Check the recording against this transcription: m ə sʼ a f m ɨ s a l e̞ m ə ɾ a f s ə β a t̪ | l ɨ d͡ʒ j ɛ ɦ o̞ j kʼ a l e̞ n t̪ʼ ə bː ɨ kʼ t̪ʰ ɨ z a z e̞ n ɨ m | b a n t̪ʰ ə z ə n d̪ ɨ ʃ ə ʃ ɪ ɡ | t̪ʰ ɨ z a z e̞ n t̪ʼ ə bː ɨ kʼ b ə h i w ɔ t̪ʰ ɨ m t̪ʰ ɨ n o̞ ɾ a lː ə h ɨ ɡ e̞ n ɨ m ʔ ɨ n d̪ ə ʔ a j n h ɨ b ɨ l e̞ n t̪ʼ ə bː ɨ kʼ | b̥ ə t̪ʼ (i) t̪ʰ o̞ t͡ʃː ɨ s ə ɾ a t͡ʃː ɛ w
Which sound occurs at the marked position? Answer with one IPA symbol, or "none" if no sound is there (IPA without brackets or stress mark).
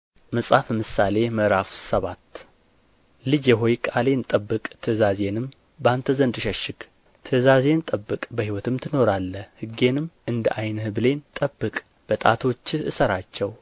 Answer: a